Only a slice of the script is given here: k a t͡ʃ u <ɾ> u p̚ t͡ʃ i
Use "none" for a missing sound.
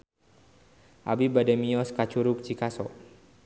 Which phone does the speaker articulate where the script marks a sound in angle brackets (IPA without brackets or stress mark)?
ɾ